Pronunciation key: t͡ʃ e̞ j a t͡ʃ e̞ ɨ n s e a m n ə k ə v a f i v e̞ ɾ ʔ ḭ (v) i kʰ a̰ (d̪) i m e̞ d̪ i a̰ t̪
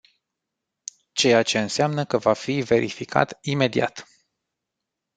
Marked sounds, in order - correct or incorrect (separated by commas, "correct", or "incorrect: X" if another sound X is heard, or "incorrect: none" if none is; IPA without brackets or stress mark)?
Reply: incorrect: f, incorrect: t̪